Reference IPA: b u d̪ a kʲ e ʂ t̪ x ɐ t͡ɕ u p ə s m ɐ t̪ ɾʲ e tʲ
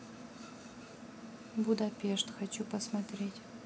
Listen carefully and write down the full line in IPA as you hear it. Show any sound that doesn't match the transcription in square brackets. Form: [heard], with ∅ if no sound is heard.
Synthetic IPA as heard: b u d̪ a [pʲ] e ʂ t̪ x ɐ t͡ɕ u p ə s m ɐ t̪ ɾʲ e tʲ